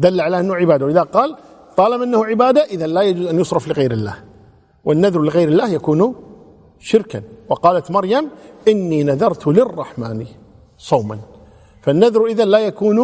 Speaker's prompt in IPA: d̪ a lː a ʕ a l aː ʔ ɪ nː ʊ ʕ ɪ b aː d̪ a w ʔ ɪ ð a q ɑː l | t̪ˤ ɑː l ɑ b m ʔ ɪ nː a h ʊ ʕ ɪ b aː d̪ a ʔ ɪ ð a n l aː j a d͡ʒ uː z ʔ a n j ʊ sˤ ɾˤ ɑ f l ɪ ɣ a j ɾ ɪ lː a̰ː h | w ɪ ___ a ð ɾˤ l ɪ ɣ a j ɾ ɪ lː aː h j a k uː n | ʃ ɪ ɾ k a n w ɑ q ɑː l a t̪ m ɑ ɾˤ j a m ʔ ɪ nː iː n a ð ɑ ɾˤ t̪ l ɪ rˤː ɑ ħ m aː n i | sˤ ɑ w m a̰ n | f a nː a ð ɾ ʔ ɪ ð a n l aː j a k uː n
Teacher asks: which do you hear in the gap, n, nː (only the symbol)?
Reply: nː